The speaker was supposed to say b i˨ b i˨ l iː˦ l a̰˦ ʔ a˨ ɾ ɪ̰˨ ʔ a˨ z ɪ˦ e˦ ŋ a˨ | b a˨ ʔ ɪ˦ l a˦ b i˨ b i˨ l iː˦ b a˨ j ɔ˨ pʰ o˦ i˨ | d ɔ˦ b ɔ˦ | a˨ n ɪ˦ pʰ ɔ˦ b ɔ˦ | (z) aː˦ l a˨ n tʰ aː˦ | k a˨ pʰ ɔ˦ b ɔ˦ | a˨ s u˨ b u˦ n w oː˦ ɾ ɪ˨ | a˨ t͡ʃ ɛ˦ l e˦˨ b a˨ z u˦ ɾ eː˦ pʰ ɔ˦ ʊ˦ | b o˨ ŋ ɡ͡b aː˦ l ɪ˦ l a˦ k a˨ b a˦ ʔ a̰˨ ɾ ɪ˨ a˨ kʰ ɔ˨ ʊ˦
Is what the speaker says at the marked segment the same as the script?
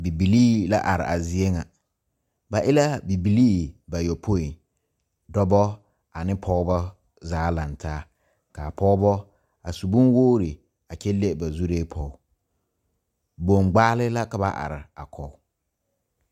yes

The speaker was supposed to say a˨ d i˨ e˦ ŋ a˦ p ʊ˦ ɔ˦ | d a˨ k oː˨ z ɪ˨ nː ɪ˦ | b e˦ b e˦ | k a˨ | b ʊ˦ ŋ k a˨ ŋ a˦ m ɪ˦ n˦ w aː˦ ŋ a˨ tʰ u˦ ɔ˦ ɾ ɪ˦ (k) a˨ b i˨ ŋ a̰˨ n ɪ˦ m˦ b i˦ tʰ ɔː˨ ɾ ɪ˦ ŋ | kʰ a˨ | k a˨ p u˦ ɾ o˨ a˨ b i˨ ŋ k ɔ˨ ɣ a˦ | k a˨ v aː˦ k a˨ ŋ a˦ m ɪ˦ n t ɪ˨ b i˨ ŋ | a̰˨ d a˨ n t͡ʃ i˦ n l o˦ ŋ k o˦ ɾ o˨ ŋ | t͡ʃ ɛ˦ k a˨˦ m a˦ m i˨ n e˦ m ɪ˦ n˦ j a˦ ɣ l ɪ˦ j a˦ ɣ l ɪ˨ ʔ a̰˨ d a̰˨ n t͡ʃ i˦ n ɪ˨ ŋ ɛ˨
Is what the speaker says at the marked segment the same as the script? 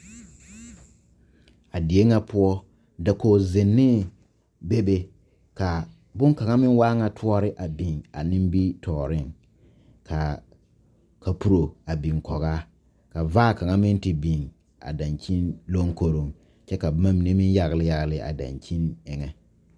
no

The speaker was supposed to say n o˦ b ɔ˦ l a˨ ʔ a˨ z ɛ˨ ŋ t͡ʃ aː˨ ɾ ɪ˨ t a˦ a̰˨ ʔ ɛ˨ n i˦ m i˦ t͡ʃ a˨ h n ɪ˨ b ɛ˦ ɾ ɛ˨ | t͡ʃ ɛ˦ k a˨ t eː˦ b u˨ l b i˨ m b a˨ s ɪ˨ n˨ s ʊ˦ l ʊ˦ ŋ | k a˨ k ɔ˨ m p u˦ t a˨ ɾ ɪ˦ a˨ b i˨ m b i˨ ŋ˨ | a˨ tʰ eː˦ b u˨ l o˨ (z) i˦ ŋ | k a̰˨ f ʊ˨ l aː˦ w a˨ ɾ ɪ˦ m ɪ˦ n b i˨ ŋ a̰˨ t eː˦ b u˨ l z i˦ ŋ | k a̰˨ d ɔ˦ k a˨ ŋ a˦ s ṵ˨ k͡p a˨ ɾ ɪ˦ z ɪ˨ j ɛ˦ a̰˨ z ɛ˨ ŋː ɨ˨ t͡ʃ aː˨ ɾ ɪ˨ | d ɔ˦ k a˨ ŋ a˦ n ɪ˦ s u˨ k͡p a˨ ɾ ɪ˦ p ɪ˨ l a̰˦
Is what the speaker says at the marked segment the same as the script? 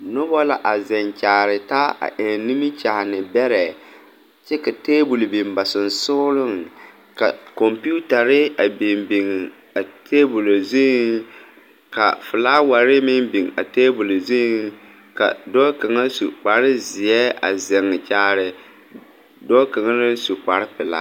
yes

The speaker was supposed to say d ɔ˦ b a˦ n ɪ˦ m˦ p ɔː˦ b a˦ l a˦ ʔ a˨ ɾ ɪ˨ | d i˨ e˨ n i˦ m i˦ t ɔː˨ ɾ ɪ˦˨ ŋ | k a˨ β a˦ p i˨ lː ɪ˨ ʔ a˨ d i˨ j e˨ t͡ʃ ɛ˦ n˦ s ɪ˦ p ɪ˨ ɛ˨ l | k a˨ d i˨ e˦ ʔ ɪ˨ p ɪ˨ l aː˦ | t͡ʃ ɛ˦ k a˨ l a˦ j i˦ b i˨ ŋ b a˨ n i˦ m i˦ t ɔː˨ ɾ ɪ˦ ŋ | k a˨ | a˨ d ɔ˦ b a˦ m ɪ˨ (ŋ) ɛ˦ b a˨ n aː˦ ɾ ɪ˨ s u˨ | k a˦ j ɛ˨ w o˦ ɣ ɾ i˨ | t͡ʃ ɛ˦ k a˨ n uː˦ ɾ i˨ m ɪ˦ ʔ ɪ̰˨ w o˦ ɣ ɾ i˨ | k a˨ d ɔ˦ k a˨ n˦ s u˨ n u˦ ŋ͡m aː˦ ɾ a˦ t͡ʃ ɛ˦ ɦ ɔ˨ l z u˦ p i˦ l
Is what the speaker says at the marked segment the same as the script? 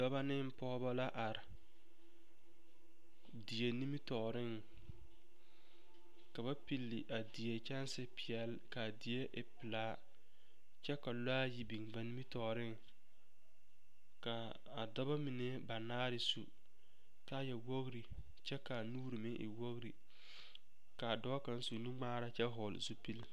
no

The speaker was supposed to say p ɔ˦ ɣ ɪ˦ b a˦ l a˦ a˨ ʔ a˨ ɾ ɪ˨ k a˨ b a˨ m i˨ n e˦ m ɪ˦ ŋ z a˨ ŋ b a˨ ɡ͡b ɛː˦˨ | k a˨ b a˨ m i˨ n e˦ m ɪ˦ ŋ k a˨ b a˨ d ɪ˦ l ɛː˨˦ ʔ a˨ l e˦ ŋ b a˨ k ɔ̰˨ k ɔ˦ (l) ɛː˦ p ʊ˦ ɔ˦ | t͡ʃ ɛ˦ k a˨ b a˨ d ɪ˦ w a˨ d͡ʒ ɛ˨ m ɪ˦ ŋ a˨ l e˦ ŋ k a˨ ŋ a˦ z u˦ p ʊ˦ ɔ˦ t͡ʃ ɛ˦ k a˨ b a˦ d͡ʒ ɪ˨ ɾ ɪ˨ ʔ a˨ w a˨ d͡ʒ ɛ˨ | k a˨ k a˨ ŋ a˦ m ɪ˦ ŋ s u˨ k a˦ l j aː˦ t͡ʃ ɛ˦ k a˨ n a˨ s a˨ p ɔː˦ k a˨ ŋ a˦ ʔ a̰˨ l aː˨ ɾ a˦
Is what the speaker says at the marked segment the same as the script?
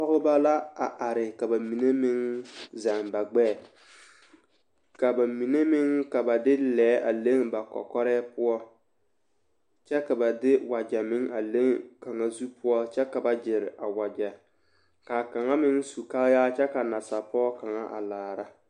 no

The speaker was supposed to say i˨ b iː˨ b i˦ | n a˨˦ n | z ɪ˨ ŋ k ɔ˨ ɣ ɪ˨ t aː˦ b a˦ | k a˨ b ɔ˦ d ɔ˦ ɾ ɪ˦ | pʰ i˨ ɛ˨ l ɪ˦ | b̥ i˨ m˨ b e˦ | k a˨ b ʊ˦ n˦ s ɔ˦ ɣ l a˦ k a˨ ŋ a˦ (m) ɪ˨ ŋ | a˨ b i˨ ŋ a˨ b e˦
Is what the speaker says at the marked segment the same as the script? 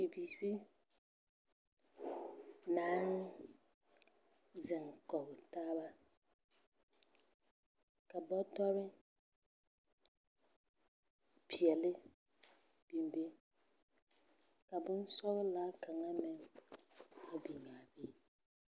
yes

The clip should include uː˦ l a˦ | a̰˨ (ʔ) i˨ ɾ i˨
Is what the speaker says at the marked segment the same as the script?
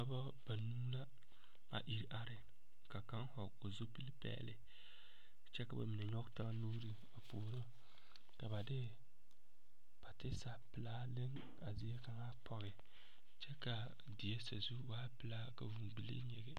yes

